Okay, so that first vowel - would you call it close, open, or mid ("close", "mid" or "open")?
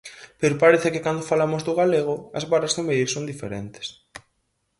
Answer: mid